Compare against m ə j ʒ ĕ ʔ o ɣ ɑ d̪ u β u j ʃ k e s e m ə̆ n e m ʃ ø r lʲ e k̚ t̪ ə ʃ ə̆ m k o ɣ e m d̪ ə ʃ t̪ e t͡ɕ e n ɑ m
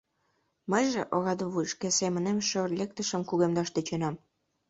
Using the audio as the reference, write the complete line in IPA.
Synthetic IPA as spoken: m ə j ʒ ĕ ʔ o ɣ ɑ d̪ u β u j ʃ k e s e m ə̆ n e m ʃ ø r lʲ e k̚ t̪ ə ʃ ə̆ m k u ɣ e m d̪ ɑ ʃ t̪ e t͡ɕ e n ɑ m